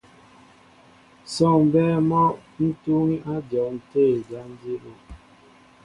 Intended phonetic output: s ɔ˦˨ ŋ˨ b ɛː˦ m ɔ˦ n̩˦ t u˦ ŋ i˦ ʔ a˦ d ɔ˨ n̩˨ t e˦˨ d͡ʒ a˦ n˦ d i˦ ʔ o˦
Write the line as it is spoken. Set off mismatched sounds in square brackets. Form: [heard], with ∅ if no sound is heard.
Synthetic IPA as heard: s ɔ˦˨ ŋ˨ b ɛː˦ m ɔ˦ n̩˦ t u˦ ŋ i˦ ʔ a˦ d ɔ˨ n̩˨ t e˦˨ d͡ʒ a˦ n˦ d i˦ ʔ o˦